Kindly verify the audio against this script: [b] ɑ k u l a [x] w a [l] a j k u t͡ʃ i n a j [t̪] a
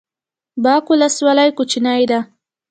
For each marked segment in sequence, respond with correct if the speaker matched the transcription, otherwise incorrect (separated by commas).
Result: correct, incorrect, correct, incorrect